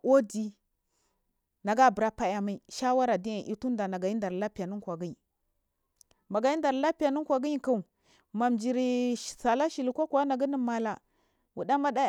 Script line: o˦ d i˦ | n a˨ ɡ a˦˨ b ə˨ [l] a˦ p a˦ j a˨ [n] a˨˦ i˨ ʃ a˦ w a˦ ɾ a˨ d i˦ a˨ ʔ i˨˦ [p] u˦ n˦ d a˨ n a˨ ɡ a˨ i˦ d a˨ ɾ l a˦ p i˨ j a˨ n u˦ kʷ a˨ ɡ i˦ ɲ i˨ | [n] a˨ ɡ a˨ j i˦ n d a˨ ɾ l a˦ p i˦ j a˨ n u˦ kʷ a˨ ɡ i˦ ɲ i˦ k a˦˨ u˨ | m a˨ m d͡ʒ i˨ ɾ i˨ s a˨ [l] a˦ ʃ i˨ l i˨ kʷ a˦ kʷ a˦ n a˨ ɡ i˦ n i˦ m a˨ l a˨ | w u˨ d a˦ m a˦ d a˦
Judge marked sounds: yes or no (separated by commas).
no, no, no, no, yes